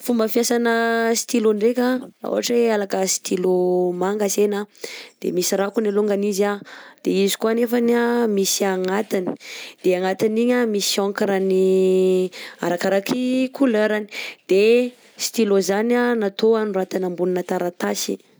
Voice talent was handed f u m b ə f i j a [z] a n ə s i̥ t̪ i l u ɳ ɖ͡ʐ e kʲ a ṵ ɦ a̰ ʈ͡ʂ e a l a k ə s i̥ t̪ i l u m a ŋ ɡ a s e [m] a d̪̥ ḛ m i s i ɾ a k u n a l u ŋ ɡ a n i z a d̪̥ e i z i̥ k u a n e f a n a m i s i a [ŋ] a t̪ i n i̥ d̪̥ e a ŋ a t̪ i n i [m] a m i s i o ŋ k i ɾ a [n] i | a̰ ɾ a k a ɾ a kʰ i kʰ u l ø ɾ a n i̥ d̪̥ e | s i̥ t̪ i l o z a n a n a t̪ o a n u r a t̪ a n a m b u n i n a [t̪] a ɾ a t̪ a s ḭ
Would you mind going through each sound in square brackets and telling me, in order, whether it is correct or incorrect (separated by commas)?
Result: incorrect, incorrect, correct, incorrect, correct, correct